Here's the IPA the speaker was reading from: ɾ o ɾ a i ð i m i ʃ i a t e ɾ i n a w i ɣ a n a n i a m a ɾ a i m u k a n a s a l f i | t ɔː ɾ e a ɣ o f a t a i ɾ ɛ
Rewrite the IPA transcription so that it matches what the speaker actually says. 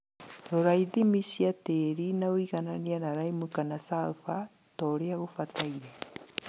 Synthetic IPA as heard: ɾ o ɾ a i ð i m i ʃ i a t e ɾ i n a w i ɣ a n a n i a n a ɾ a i m u k a n a s a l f a | t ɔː ɾ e a ɣ o f a t a i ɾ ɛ